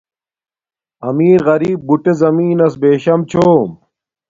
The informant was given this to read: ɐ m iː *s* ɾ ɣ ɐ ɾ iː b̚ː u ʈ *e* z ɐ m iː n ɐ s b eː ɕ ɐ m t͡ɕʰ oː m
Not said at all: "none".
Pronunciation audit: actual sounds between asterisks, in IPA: none, e

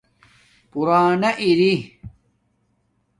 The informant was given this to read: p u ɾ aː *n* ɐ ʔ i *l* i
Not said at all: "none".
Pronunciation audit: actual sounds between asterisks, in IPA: n, ɾ

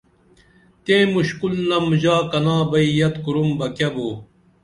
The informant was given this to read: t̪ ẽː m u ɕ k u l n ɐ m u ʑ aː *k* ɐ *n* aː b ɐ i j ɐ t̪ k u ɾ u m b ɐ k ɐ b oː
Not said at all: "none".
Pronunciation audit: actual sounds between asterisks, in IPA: k, n

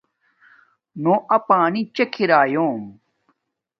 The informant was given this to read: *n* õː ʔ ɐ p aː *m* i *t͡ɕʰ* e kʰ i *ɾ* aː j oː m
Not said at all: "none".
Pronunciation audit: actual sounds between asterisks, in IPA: n, n, t͡ɕ, ɾ

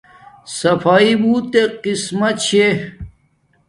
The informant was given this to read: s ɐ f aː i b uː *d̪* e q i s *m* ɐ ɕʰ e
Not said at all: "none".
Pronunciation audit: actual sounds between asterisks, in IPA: t̪, m

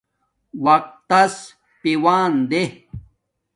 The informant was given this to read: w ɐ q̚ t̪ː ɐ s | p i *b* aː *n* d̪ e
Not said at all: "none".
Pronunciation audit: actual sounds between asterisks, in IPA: w, n

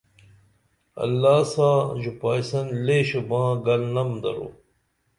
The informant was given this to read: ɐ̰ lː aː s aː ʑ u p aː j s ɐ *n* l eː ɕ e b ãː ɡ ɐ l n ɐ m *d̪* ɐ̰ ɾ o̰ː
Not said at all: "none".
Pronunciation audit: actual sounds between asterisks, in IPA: n, d̪

